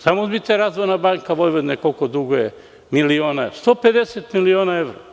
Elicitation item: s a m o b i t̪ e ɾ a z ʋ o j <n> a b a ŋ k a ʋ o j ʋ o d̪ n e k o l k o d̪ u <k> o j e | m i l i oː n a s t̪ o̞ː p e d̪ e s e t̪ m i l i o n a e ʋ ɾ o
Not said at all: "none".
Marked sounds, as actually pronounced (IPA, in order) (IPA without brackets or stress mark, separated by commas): n, ɡ